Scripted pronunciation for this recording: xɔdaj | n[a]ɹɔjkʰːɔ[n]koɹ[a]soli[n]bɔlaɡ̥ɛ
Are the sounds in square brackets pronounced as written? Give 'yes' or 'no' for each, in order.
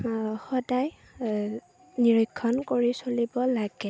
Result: no, yes, no, no

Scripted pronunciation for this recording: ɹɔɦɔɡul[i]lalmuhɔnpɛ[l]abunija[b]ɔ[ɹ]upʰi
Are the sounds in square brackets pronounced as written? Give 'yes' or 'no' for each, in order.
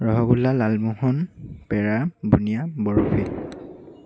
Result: no, no, yes, yes

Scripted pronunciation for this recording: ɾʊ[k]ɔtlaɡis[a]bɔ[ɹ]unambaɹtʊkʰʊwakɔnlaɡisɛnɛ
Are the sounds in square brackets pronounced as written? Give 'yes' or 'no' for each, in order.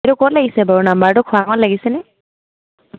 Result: yes, no, yes

